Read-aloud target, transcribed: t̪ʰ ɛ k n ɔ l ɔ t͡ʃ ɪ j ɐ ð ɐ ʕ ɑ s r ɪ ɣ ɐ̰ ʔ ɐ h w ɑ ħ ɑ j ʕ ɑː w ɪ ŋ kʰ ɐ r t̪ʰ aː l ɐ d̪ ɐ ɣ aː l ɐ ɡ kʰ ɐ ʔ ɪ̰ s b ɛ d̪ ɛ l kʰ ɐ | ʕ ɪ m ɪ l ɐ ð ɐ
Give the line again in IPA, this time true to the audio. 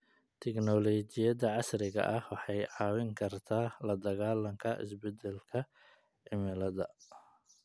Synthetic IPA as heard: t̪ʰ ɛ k n ɔ l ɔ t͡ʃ ɪ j ɐ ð ɐ ʕ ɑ s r ɪ ɣ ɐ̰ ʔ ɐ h w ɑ ħ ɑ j ʕ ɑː w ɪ ŋ kʰ ɐ r t̪ʰ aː l ɐ d̪ ɐ ɣ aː l ɐ ŋ kʰ ɐ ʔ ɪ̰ s b ɛ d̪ ɛ l kʰ ɐ | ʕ ɪ m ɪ l ɐ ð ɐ

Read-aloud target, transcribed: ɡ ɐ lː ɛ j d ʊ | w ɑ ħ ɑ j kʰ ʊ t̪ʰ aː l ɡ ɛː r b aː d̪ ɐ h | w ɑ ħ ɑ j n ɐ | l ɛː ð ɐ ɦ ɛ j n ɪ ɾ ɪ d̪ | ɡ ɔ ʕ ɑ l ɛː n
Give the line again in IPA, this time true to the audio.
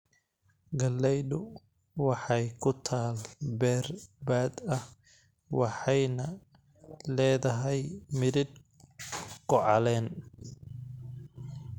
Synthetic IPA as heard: ɡ ɐ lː ɛ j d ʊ | w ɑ ħ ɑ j kʰ ʊ t̪ʰ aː l b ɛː r b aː d̪ ɐ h | w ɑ ħ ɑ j n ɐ | l ɛː ð ɐ ɦ ɛ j m ɪ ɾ ɪ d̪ | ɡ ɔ ʕ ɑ l ɛː n

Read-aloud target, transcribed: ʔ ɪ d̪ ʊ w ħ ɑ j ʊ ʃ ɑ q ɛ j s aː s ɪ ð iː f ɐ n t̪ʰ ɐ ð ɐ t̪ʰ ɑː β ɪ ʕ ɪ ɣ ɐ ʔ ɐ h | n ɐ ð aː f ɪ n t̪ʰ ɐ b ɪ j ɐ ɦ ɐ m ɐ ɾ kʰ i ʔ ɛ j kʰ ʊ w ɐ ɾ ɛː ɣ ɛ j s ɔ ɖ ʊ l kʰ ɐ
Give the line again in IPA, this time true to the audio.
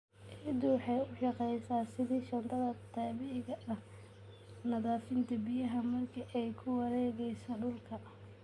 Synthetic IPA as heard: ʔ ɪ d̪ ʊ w ħ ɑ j ʊ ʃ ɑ q ɛ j s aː s ɪ ð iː ʃ ɐ n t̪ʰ ɐ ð ɐ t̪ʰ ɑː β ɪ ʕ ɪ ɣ ɐ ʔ ɐ h | n ɐ ð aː f ɪ n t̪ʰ ɐ b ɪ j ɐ ɦ ɐ m ɐ r kʰ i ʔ ɛ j kʰ ʊ w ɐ ɾ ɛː ɣ ɛ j s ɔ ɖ ʊ l kʰ ɐ

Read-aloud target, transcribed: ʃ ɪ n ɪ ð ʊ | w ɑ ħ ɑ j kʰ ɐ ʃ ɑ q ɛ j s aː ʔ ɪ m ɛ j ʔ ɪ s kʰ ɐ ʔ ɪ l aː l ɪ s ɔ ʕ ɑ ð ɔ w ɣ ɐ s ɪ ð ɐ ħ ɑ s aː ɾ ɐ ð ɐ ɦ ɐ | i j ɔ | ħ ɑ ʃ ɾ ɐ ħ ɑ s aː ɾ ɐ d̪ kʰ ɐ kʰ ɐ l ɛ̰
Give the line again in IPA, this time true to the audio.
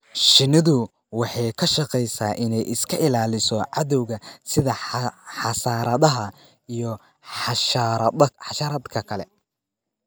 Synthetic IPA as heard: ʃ ɪ n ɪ ð ʊ | w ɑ ħ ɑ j kʰ ɐ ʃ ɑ q ɛ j s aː ʔ ɪ n ɛ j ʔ ɪ s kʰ ɐ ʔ ɪ l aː l ɪ s ɔ ʕ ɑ ð ɔ w ɣ ɐ s ɪ ð ɐ ħ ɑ s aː ɾ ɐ ð ɐ ɦ ɐ | i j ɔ | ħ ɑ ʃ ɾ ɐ ħ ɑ ʃ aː ɾ ɐ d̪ kʰ ɐ kʰ ɐ l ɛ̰

